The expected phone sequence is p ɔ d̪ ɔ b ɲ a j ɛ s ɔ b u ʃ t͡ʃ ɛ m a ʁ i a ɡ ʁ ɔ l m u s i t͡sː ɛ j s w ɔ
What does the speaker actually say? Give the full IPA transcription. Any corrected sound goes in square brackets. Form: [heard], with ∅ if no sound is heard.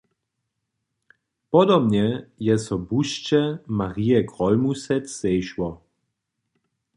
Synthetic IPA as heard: p ɔ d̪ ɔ b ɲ [ɛ] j ɛ s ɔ b u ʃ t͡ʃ ɛ m a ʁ i [ɛ] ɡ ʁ ɔ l m u s [ɛ] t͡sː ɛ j [ʃ] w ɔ